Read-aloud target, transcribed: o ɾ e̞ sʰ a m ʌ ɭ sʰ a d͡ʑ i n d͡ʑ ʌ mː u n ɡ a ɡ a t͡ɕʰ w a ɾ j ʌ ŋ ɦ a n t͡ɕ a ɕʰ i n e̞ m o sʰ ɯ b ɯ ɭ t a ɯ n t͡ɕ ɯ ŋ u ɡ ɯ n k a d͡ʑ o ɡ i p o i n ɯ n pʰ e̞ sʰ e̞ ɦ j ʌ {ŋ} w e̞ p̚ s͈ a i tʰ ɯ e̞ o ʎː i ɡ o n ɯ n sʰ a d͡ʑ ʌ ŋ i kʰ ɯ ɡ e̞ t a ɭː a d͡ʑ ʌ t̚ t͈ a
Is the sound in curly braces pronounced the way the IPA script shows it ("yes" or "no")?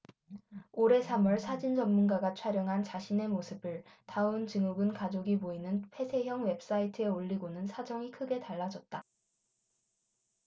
yes